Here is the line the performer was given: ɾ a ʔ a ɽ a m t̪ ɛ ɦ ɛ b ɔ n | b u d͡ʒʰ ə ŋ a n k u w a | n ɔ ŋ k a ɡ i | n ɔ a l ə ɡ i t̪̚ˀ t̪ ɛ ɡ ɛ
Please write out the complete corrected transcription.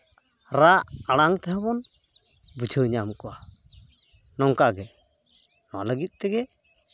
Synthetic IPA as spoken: ɾ a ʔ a ɽ a ŋ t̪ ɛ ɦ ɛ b ɔ n | b u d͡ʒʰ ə ɲ a m k ɔ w a | n ɔ ŋ k a ɡ ɛ | n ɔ a l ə ɡ i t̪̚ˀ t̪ ɛ ɡ ɛ